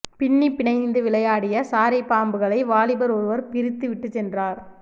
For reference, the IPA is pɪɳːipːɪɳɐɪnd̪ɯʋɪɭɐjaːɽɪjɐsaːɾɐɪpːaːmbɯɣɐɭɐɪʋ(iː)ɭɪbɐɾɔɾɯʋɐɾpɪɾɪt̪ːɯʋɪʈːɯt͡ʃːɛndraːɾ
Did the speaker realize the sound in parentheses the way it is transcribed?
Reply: no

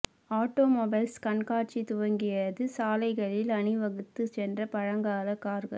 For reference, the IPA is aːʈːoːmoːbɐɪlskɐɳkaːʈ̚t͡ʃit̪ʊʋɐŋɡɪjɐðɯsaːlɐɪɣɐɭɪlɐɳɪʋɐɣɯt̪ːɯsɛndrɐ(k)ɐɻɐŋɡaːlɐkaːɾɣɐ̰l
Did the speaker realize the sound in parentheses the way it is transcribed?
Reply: no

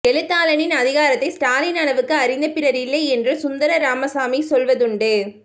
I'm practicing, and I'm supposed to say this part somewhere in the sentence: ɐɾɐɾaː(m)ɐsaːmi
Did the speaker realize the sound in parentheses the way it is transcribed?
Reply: yes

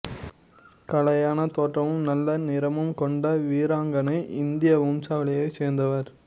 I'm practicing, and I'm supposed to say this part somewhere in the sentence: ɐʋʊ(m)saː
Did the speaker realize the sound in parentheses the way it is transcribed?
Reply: yes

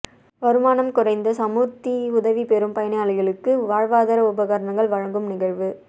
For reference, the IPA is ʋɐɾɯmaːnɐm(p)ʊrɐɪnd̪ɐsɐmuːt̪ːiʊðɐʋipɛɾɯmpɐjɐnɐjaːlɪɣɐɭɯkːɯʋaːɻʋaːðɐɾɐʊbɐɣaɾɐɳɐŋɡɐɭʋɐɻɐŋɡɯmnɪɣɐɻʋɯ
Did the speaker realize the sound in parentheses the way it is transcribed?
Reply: no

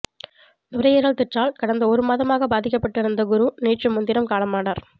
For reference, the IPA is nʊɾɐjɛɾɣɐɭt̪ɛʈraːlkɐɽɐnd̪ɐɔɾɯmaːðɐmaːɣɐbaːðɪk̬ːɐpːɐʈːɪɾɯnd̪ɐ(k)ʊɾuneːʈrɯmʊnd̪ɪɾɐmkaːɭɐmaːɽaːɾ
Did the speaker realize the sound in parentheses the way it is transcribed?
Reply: no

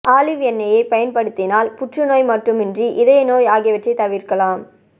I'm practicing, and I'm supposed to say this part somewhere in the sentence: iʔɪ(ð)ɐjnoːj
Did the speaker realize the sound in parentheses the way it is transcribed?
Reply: yes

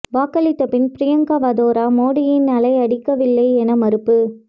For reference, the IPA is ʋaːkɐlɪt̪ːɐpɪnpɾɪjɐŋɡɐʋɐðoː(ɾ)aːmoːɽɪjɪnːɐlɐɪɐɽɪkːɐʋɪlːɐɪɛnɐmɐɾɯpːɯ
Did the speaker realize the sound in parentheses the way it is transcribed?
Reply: yes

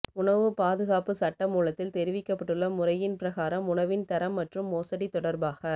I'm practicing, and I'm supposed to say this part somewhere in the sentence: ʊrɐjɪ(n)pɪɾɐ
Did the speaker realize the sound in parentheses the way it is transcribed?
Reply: yes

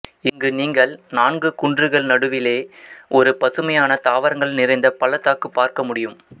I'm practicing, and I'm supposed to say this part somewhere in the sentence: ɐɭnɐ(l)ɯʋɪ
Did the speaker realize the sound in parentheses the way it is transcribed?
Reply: no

